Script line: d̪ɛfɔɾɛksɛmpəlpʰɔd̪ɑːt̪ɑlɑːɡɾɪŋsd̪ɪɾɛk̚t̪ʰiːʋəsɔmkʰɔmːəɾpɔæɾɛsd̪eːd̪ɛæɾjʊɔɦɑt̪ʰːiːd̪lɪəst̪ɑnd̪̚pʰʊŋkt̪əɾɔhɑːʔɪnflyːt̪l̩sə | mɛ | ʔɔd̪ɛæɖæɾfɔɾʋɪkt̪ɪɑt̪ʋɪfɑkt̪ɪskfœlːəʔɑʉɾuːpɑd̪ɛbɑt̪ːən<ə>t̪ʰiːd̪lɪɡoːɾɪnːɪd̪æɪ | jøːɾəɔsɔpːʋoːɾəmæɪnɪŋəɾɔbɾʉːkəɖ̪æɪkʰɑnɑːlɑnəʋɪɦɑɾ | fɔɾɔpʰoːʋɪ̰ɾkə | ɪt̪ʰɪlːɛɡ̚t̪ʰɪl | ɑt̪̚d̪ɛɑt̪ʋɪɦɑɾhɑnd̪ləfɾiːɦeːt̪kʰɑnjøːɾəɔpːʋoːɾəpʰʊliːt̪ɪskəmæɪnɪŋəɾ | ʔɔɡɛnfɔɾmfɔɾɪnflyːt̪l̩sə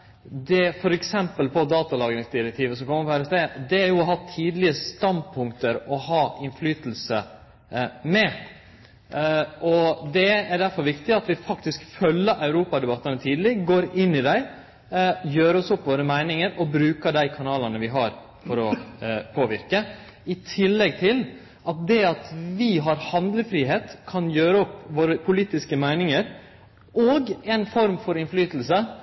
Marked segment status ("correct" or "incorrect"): correct